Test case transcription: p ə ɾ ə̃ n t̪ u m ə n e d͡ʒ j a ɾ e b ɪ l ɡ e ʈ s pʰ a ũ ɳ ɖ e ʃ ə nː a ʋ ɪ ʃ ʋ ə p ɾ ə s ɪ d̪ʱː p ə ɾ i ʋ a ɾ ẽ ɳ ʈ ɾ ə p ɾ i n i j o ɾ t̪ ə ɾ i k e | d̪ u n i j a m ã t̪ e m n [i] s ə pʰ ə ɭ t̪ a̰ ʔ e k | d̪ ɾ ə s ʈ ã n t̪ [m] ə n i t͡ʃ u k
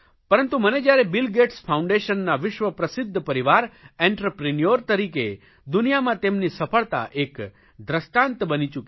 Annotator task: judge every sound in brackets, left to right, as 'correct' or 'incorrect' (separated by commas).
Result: correct, incorrect